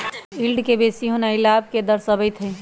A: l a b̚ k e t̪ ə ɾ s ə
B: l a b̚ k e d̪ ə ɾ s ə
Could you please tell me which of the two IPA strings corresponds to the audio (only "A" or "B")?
B